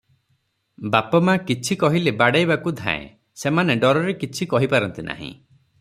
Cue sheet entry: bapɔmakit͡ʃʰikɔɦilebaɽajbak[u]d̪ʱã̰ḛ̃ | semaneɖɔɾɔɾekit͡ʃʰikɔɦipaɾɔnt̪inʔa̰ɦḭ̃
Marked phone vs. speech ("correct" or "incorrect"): correct